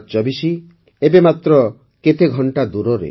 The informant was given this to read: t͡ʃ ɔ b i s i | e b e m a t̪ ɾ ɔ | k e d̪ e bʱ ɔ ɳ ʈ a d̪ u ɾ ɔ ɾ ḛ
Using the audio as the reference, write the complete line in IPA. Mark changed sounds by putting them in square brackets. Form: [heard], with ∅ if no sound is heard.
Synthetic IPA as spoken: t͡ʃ ɔ b i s i | e b e m a t̪ ɾ ɔ | k e [t̪] e [ɡʱ] ɔ ɳ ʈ a d̪ u ɾ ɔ ɾ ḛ

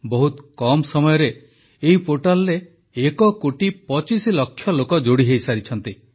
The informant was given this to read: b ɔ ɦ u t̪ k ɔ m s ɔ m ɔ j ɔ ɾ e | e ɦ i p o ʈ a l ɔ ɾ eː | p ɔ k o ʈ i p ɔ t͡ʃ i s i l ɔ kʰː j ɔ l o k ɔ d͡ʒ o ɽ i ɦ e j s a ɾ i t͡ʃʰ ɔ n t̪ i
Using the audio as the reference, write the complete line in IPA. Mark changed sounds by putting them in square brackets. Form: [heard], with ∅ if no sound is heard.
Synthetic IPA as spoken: b ɔ ɦ u t̪ k ɔ m s ɔ m ɔ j ɔ ɾ e | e ɦ i p o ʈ a l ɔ ɾ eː | [k] ɔ k o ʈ i p ɔ t͡ʃ i s i l ɔ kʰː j ɔ l o k ɔ d͡ʒ o ɽ i ɦ e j s a ɾ i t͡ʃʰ ɔ n t̪ i

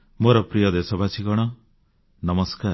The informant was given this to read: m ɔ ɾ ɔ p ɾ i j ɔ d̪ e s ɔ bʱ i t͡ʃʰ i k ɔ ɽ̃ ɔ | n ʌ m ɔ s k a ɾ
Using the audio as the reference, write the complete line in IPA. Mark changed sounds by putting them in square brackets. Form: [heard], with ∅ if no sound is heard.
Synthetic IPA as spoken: m [o] ɾ ɔ p ɾ i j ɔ d̪ e s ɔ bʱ [a] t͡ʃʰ i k ɔ ɽ̃ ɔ | n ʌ m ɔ s k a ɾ

